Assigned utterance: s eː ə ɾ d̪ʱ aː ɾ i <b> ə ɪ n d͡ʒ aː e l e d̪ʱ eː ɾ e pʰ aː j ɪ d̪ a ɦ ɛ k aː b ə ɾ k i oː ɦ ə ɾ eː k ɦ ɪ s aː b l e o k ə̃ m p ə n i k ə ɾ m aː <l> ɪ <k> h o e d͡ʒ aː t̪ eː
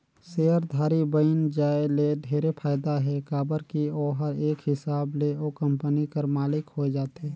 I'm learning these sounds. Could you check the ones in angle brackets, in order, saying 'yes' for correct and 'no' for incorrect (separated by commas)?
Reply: yes, yes, yes